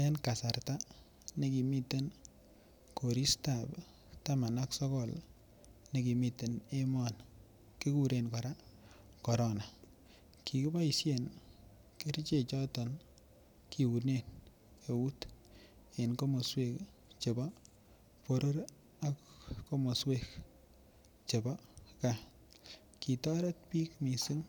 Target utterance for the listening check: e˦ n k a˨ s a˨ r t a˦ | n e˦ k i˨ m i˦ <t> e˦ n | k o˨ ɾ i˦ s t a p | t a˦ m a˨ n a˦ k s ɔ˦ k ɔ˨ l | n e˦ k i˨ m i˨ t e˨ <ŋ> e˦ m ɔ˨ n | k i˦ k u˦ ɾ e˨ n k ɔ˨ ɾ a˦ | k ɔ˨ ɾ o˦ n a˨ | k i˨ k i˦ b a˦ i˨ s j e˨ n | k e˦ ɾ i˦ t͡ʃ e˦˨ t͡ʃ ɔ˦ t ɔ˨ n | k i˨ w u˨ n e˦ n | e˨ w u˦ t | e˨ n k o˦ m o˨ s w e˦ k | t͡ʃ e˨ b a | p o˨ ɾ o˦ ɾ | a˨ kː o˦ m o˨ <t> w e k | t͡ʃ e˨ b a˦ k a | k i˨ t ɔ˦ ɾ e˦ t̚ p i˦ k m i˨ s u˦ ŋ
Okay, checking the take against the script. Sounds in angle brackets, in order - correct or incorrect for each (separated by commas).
correct, incorrect, incorrect